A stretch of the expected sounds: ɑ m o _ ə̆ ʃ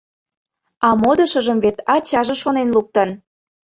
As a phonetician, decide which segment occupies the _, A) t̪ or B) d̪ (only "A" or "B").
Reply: B